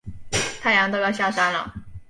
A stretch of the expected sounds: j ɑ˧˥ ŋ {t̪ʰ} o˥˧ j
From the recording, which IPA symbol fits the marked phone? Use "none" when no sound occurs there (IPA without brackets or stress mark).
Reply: t̪